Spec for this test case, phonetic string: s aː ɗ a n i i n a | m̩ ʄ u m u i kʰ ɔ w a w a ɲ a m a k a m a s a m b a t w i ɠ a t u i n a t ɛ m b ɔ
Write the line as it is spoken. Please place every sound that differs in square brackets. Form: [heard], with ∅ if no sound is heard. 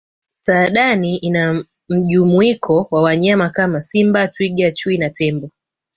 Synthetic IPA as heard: s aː ɗ a n i i n a | m̩ ʄ u m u i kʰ ɔ w a w a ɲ a m a k a m a s [i] m b a t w i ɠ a [t͡ʃ] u i n a t ɛ m b ɔ